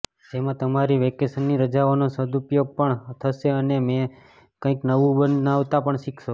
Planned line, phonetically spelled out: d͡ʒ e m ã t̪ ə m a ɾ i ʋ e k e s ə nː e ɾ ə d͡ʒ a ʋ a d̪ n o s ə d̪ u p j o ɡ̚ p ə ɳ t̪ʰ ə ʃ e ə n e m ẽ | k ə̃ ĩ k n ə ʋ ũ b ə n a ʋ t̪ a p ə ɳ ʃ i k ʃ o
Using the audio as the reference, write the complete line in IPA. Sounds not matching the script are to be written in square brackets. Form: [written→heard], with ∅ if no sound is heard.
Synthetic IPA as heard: d͡ʒ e m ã t̪ ə m a ɾ i ʋ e k e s ə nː [e→i] ɾ ə d͡ʒ a ʋ a [d̪→∅] n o s ə d̪ u p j o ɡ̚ p ə ɳ t̪ʰ ə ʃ e ə n e m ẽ | k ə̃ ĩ k n ə ʋ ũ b ə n a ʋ t̪ a p ə ɳ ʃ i k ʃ o